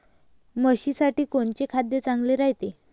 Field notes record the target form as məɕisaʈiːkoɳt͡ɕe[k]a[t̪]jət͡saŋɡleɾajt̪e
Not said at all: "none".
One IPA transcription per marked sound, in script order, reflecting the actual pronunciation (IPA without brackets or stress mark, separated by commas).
kʰ, d̪